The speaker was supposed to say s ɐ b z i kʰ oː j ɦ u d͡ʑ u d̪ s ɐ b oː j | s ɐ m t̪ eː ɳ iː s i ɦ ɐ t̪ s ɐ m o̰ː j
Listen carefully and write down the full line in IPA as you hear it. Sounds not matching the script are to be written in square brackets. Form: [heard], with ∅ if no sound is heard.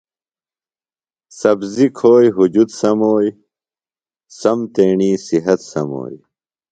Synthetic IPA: s ɐ b z i kʰ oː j ɦ u d͡ʑ u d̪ s ɐ [m] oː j | s ɐ m t̪ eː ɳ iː s i ɦ ɐ t̪ s ɐ m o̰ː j